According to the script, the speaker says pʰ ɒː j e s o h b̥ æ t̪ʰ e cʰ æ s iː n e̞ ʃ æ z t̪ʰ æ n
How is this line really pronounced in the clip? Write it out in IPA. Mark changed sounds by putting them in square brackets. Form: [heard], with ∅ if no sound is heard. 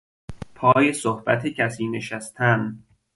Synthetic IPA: pʰ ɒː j e s o h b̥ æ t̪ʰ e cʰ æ s iː n e̞ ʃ æ [s] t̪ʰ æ n